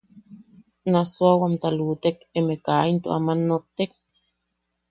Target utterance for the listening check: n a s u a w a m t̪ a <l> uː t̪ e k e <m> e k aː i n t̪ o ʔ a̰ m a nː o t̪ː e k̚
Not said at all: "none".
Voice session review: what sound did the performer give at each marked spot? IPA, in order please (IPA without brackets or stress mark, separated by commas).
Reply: l, m